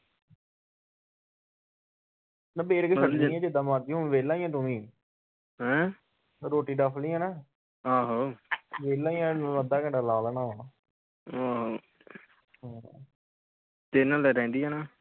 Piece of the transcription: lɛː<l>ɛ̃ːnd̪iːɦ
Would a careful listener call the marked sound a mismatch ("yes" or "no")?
yes